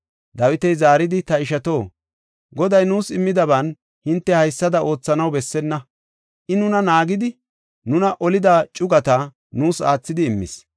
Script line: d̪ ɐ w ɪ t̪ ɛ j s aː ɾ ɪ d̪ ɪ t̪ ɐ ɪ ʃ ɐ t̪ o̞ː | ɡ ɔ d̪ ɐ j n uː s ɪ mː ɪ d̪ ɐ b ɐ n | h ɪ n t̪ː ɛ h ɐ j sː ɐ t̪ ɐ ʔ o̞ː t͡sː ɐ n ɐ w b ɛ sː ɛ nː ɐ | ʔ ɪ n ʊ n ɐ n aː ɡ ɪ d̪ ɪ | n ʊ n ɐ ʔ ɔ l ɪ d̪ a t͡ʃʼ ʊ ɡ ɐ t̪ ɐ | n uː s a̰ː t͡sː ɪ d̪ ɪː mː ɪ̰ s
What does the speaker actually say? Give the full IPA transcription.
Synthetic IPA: d̪ ɐ w ɪ t̪ ɛ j z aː ɾ ɪ d̪ ɪ t̪ ɐ ɪ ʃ ɐ t̪ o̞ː | ɡ ɔ d̪ ɐ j n uː s ɪ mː ɪ d̪ ɐ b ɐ n | h ɪ n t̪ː ɛ h ɐ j sː ɐ d̪ ɐ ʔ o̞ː t͡sː ɐ n ɐ w b ɛ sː ɛ nː ɐ | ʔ ɪ n ʊ n ɐ n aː ɡ ɪ d̪ ɪ | n ʊ n ɐ ʔ ɔ l ɪ d̪ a t͡ʃʼ ʊ ɡ ɐ t̪ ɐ | n uː s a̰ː t͡sː ɪ d̪ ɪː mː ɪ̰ s